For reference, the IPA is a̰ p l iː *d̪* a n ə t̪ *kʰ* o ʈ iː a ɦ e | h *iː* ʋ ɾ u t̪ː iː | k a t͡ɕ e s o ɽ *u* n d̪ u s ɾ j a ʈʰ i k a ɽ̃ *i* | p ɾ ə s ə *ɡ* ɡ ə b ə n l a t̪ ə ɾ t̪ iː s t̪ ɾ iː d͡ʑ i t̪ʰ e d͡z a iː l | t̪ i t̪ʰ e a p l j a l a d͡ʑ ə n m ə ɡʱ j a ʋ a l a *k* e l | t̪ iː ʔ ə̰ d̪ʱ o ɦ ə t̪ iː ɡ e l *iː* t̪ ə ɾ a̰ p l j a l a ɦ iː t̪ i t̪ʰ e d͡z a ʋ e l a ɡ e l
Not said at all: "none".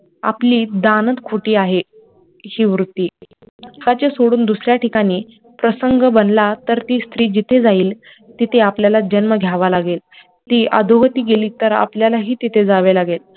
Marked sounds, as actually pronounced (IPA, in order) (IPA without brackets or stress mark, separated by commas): d̪, kʰ, iː, uː, iː, ŋ, ɡ, iː